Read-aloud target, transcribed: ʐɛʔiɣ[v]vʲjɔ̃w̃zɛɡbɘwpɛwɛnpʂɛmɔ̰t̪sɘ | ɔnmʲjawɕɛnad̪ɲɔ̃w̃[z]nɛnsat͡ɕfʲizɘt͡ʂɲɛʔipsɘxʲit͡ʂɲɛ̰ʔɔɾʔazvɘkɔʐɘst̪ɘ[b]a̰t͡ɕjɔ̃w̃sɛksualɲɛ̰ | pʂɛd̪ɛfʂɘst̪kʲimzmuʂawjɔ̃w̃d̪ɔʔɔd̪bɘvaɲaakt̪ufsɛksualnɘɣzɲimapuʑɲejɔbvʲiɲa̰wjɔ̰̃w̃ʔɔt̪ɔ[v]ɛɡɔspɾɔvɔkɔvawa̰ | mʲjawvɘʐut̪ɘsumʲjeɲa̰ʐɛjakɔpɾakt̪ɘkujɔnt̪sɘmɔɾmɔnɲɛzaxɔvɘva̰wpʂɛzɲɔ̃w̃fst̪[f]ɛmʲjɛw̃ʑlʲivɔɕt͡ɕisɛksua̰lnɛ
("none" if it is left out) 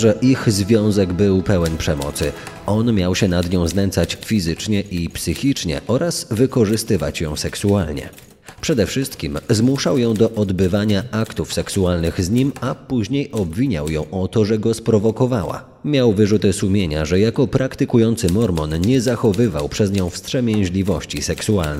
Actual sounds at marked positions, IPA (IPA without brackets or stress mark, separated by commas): z, z, v, ʐ, ʂ